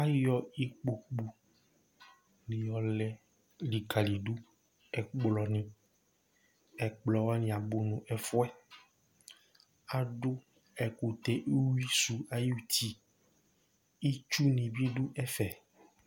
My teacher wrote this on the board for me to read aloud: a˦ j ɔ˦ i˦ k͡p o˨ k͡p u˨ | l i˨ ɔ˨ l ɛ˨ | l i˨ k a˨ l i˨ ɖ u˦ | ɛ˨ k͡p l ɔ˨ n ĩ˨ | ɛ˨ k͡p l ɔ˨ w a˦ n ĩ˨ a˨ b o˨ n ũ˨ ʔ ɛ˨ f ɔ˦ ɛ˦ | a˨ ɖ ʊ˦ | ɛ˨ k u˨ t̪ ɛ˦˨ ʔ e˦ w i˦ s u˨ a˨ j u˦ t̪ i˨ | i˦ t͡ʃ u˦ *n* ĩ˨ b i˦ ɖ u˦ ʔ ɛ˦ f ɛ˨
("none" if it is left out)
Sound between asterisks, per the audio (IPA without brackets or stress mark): n